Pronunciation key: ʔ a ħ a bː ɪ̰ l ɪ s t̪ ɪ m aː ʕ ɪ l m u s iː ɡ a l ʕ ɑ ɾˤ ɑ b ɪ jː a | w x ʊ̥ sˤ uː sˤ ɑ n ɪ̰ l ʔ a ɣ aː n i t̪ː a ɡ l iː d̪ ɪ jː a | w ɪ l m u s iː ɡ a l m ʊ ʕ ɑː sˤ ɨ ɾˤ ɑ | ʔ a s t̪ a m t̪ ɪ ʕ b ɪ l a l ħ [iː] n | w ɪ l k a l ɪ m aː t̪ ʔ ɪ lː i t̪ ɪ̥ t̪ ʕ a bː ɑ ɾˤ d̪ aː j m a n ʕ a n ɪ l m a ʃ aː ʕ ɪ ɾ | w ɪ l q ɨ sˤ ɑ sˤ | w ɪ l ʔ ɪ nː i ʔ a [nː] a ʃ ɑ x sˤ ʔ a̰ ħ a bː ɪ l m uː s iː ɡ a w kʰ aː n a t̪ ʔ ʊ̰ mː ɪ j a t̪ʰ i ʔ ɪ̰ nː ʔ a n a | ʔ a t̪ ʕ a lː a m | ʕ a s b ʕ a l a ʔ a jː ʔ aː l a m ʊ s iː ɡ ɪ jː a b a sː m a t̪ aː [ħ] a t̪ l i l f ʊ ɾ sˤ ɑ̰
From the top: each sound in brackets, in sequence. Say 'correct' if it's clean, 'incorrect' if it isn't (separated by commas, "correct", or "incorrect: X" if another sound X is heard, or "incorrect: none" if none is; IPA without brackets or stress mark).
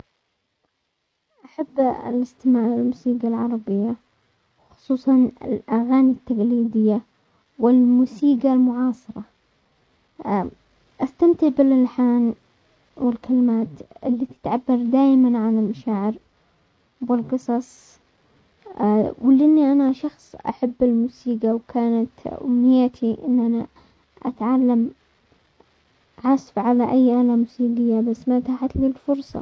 incorrect: aː, incorrect: n, correct